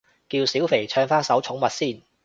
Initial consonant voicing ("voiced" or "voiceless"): voiceless